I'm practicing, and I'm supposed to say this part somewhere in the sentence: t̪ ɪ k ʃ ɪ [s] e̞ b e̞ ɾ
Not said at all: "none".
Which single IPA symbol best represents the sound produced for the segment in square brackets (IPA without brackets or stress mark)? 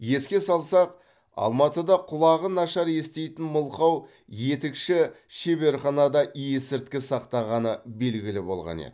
ʃ